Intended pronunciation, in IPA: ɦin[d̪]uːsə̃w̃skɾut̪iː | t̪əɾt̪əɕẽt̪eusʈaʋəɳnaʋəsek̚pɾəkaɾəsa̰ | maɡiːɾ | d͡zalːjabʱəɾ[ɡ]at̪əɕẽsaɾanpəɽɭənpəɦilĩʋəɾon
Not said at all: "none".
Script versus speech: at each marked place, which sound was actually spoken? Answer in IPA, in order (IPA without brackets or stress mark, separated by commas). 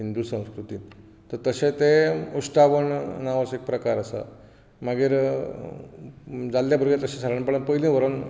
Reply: d̪, ɡ